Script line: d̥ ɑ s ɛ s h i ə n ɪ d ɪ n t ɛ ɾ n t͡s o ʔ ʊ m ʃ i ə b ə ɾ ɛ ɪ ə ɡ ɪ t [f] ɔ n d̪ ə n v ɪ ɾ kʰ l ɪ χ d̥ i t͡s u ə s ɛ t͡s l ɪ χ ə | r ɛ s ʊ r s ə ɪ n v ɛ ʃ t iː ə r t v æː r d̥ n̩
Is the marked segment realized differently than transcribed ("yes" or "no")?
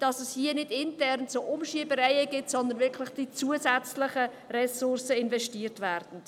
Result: yes